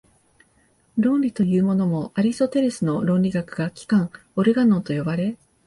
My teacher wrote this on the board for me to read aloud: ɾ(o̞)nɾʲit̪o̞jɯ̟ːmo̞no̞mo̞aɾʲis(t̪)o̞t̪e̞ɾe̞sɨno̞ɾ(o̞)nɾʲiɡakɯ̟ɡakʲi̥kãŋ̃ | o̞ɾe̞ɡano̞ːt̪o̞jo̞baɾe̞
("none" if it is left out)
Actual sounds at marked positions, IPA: õ̞, t̪, õ̞

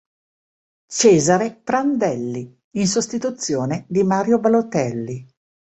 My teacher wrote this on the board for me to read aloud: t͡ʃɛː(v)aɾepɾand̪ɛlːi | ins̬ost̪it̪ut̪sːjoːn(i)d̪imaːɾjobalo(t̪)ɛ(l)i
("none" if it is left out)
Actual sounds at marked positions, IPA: z, e, t̪, lː

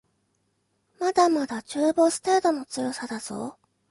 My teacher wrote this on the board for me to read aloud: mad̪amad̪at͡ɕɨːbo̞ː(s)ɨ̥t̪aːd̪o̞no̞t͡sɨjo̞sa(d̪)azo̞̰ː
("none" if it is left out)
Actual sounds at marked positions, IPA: s, d̪

